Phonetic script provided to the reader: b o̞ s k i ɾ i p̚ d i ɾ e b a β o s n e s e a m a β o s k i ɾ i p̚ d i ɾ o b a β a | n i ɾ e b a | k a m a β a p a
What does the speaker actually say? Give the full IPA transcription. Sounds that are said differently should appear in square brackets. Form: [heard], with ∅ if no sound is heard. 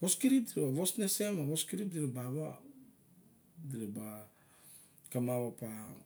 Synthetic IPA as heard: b o̞ s k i ɾ i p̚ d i ɾ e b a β o s n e s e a m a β o s k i ɾ i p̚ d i ɾ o b a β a | [d] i ɾ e b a | k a m a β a p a